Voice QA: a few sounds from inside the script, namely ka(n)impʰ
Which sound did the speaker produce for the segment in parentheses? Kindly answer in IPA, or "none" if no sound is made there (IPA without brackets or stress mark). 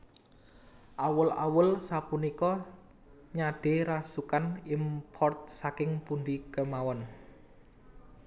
n